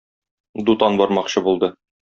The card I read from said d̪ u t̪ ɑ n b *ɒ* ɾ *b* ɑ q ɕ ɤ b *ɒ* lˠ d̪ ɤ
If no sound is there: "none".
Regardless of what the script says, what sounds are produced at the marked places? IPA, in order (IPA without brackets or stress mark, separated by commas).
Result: ɒ, m, u